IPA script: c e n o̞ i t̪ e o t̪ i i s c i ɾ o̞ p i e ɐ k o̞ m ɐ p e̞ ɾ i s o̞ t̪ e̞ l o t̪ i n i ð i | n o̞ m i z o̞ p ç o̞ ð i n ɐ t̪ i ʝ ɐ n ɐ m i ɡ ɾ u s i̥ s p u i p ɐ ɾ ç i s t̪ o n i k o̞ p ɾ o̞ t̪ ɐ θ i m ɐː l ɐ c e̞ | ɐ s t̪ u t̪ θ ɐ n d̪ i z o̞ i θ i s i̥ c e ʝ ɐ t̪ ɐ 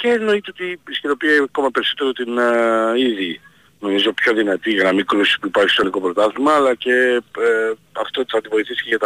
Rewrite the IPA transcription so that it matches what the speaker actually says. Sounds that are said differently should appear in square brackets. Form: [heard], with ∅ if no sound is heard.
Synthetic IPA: c e n o̞ i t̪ e o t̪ i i s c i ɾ o̞ p i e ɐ k o̞ m ɐ p e̞ ɾ i s o̞ t̪ e̞ [ɾ] o t̪ i n i ð i | n o̞ m i z o̞ p ç o̞ ð i n ɐ t̪ i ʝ ɐ n ɐ m i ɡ ɾ u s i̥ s p u i p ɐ ɾ ç i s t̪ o n i k o̞ p ɾ o̞ t̪ ɐ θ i m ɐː l ɐ c e̞ | ɐ [f] t̪ [o] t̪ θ ɐ n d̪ i [v] o̞ i θ i s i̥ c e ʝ ɐ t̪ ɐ